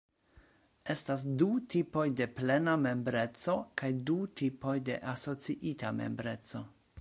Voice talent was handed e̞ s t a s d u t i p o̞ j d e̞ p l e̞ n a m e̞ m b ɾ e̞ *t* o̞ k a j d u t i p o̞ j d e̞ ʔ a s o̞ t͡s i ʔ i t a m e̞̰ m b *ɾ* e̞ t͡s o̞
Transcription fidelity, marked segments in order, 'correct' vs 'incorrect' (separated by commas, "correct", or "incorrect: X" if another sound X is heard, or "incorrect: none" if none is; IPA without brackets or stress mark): incorrect: t͡s, correct